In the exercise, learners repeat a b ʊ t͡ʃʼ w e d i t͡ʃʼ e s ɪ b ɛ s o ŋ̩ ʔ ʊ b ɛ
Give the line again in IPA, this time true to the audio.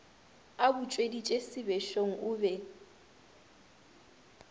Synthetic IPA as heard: a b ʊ t͡ʃʼ w e d i t͡ʃʼ e s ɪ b ɛ ʃ o ŋ̩ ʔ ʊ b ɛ

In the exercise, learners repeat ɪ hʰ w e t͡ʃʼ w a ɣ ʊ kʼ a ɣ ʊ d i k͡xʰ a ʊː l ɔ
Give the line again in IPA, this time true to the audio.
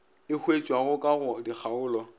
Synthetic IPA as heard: ɪ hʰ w e t͡ʃʼ w a ɣ ʊ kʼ a ɣ ʊ d i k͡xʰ a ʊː l ɔ

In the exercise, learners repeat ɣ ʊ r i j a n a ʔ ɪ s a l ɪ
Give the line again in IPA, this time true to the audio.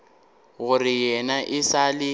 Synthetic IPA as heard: ɣ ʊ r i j ɛ n a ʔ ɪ s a l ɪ

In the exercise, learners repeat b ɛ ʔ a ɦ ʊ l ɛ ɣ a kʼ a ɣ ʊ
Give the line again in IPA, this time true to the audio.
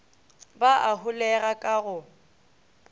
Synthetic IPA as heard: b a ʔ a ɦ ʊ l ɛ ɣ a kʼ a ɣ ʊ

